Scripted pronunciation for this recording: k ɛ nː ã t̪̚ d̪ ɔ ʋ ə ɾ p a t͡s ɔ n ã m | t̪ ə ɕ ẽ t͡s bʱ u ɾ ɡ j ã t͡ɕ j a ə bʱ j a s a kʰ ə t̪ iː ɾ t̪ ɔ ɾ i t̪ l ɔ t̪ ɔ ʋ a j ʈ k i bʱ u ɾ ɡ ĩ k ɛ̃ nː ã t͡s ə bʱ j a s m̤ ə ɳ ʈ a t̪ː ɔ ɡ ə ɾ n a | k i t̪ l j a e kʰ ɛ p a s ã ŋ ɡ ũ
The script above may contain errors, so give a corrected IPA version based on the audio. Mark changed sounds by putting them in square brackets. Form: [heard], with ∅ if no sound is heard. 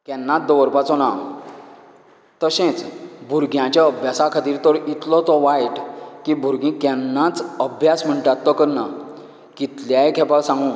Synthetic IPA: k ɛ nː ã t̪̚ d̪ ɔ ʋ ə ɾ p a t͡s ɔ n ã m | t̪ ə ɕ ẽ t͡s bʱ u ɾ ɡ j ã t͡ɕ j a ə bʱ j a s a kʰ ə t̪ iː ɾ t̪ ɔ ɾ i t̪ l ɔ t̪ ɔ ʋ a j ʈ k i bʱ u ɾ ɡ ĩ k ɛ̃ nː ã t͡s ə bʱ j a s m̤ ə ɳ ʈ a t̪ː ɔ [k] ə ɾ n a | k i t̪ l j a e kʰ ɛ p a s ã ŋ ɡ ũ